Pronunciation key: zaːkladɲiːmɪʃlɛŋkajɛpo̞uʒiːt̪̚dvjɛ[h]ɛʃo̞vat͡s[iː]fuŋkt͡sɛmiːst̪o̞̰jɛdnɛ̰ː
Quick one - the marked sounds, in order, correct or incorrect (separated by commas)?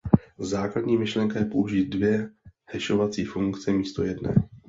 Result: correct, correct